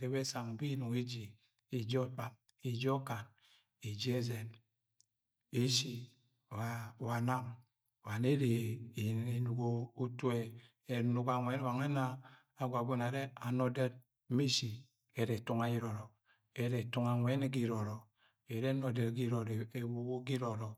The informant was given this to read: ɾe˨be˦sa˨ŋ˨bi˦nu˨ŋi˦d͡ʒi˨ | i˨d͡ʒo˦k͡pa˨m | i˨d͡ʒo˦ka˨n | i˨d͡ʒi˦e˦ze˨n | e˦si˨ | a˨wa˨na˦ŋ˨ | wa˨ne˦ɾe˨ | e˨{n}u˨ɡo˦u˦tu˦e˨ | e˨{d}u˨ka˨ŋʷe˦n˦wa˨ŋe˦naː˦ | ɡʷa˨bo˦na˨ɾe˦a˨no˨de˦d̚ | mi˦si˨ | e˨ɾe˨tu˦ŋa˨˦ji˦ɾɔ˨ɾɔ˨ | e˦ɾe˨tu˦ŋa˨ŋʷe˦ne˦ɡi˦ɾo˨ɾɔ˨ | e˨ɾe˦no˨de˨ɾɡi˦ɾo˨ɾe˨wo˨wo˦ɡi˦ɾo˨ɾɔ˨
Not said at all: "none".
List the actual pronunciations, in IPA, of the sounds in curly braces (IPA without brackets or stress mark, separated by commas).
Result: n, n